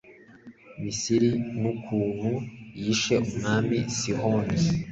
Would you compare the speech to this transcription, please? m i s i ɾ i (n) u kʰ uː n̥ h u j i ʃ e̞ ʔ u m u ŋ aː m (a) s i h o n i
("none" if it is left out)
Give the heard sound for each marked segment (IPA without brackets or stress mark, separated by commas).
n, i